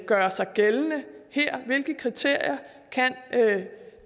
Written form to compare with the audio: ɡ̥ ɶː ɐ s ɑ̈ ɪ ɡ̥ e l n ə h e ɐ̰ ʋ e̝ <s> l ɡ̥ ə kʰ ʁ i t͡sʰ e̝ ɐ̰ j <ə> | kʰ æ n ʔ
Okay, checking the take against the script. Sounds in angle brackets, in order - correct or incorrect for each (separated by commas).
incorrect, incorrect